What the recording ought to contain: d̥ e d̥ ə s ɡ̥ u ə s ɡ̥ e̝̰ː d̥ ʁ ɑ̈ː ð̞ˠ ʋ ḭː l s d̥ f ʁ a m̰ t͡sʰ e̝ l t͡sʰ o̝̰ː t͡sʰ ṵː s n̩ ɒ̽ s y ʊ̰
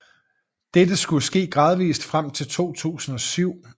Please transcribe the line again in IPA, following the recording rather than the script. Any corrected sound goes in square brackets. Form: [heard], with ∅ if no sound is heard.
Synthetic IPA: d̥ e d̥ ə s ɡ̥ u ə s ɡ̥ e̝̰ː [ɡ̥] ʁ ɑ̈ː ð̞ˠ ʋ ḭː [∅] s d̥ f ʁ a m̰ t͡sʰ e̝ l t͡sʰ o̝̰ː t͡sʰ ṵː s n̩ ɒ̽ s y ʊ̰